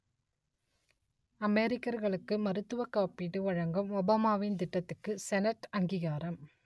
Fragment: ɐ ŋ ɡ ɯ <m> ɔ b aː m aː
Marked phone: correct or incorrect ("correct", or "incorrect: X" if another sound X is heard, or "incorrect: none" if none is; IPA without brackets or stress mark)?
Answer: correct